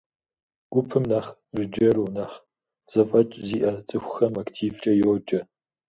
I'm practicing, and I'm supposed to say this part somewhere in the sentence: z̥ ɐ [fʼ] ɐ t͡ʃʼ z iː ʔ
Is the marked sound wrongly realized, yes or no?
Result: no